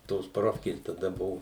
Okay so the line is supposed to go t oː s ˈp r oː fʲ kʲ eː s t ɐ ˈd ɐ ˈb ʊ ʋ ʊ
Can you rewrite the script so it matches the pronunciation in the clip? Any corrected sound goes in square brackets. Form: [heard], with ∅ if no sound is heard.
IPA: t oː s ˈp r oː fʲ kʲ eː s t ɐ ˈd ɐ ˈb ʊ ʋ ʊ